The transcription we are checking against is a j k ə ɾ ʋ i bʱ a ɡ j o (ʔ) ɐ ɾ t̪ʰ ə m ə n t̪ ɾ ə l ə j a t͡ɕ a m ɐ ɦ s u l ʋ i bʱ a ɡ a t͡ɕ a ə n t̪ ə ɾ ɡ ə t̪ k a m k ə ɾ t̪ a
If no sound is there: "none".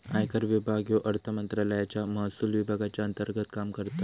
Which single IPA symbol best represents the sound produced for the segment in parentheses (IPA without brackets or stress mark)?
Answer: ʔ